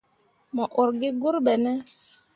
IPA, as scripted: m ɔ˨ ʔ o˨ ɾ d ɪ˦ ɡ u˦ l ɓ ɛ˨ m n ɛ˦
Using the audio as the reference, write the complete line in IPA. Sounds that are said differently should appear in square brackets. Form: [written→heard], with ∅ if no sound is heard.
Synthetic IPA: m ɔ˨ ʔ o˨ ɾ [d→ɡ] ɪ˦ ɡ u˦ [l→ɾ] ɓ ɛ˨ [m→∅] n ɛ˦